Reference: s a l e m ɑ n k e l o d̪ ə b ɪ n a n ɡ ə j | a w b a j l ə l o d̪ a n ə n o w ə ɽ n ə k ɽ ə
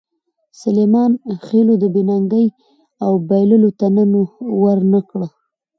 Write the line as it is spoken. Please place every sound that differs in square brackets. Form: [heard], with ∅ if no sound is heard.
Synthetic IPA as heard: s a l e m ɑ n [x] e l o d̪ ə b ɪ n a [ŋ] ɡ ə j | a w b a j l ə l o [t̪] a n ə n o w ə [ɾ] n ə k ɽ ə